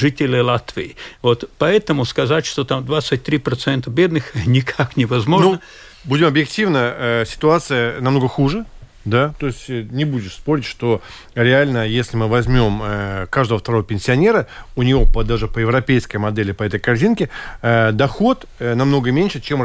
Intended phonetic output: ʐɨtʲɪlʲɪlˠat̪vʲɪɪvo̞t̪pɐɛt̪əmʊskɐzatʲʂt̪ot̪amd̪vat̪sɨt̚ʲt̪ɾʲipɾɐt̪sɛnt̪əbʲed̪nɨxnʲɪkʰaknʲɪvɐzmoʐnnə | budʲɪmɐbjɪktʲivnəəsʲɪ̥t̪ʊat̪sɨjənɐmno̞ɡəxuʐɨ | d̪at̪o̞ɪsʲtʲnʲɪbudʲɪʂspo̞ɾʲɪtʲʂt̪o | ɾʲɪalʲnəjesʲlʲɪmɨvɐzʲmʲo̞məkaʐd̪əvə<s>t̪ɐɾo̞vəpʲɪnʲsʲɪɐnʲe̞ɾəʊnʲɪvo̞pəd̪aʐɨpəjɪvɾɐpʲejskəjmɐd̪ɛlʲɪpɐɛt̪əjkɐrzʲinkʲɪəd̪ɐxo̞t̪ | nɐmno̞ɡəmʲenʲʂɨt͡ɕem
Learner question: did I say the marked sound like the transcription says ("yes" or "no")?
no